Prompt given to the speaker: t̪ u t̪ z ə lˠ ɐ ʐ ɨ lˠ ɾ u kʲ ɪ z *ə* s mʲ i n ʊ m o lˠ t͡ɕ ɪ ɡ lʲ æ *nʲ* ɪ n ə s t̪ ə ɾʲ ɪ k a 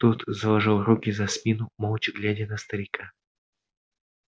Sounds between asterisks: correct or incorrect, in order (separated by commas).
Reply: incorrect, incorrect